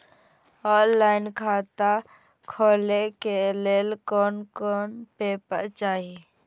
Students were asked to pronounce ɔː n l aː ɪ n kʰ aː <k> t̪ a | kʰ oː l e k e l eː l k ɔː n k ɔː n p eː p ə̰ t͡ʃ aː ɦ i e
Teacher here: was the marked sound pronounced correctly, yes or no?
no